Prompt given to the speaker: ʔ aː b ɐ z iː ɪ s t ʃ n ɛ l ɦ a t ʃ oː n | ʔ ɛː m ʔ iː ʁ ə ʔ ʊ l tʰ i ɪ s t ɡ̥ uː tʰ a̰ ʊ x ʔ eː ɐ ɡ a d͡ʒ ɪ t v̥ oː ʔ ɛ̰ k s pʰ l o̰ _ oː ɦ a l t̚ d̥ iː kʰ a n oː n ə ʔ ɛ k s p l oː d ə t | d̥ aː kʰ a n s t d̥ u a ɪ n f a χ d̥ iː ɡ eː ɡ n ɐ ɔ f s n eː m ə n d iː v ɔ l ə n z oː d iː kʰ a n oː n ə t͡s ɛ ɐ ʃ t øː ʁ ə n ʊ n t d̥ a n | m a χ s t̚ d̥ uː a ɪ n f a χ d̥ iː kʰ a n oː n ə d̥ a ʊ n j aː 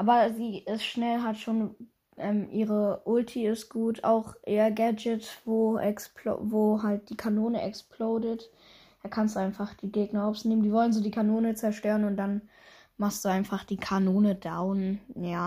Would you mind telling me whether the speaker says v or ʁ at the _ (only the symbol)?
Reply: v